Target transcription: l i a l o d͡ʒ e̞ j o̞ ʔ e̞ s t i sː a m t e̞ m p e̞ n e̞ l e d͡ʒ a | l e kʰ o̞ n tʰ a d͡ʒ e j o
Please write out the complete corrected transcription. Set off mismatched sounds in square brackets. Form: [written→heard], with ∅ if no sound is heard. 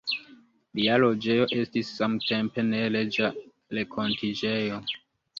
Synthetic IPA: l i a l o d͡ʒ e̞ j o̞ ʔ e̞ s t i sː a m t e̞ m p e̞ n e̞ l e d͡ʒ a | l e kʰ o̞ n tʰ [a→i] d͡ʒ e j o